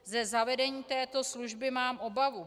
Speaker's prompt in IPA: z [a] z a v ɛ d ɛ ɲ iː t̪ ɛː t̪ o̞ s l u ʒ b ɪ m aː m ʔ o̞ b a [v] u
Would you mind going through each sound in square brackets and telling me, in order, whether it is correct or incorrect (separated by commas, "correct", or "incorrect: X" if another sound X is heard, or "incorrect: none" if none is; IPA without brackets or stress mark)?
incorrect: ɛ, correct